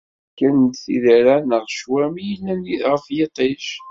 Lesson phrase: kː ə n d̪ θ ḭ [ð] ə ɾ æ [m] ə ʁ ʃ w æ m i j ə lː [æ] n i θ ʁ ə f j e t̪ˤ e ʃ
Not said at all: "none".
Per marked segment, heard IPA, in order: ð, n, æ

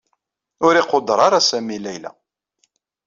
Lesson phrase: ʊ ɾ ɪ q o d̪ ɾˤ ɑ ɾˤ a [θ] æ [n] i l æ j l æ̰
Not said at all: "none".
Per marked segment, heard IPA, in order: s, m

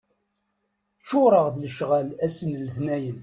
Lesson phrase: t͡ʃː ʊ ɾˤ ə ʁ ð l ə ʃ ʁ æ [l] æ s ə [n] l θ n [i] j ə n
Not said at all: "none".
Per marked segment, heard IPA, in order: l, n, æ

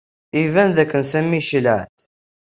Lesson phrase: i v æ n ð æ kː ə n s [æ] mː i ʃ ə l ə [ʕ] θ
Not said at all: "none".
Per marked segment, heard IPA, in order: æ, ʕ

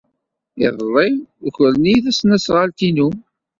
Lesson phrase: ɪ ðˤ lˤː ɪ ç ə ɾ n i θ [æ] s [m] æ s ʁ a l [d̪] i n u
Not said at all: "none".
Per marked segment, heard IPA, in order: æ, n, t̪

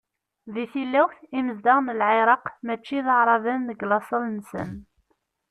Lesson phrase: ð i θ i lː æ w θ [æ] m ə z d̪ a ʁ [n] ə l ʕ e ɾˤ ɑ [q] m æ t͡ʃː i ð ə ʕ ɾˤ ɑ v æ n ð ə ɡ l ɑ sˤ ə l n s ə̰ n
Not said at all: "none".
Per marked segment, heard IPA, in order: i, n, q

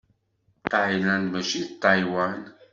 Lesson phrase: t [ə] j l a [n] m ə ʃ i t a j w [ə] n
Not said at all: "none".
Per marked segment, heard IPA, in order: a, n, a

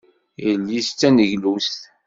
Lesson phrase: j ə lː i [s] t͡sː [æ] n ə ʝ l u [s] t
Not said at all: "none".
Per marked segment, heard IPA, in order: s, æ, s

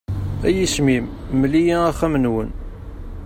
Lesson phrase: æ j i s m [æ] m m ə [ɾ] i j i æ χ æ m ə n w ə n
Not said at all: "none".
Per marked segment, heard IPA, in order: i, l

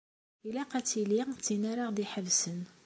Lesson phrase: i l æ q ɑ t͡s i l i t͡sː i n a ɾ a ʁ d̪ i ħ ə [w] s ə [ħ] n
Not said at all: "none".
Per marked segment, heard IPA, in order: v, none

